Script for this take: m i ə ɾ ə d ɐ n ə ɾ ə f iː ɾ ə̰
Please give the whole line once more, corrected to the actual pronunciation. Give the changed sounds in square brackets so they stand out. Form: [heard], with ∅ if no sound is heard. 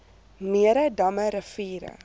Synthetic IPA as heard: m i ə ɾ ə d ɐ [m] ə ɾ ə f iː ɾ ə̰

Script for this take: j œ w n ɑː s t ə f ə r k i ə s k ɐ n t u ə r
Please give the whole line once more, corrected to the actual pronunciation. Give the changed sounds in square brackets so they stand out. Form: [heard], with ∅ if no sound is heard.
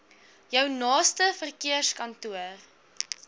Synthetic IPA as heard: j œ w n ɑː s t ə f ə r k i ə s k ɐ n t u ə r

